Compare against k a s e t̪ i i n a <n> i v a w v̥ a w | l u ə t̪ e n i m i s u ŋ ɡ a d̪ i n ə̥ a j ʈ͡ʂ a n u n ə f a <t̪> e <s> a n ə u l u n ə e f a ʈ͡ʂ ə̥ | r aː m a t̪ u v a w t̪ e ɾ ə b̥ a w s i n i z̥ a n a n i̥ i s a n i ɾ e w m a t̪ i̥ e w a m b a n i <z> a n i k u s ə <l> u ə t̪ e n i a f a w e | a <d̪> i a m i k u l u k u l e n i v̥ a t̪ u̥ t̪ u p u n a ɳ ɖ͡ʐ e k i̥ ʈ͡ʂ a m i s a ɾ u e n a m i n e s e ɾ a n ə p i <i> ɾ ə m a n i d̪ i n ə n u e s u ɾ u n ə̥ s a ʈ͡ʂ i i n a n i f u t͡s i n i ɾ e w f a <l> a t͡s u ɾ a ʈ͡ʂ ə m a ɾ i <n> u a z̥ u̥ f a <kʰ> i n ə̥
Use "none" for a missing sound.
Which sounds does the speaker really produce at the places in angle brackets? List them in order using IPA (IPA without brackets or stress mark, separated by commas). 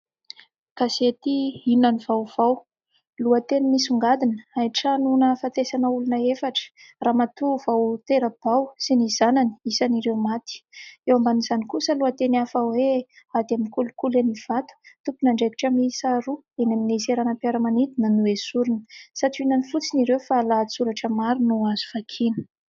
n, t̪, s, z, l, d̪, a, l, n, kʰ